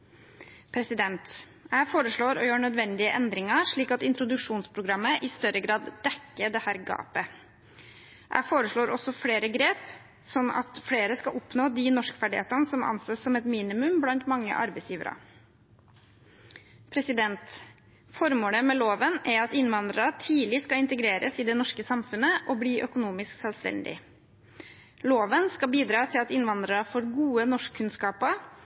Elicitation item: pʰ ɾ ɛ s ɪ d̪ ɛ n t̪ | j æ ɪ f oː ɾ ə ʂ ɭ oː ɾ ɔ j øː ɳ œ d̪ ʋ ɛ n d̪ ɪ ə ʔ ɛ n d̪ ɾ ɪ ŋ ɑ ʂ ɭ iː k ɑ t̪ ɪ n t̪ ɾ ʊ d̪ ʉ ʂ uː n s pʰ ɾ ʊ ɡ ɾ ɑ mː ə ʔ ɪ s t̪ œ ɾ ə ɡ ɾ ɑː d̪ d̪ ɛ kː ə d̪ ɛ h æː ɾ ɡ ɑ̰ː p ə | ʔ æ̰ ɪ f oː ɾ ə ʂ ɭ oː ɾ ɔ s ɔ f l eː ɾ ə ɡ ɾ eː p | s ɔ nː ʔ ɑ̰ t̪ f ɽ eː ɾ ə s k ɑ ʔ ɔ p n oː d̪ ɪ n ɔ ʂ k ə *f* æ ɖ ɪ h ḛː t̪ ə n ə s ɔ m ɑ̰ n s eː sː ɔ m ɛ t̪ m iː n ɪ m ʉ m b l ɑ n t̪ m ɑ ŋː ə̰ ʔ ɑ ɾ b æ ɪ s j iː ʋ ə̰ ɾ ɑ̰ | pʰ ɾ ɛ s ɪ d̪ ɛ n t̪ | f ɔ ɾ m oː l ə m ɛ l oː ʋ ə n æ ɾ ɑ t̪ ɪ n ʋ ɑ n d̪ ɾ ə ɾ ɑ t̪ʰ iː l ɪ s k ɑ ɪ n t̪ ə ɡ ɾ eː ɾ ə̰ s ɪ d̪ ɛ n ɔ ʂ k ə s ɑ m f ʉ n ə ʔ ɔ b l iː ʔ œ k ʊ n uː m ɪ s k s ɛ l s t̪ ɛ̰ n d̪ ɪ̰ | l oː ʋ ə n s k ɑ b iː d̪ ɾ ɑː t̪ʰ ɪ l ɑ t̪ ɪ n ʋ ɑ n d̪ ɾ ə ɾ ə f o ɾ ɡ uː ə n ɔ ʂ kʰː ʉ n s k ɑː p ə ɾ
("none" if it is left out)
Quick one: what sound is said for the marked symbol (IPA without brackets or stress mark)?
f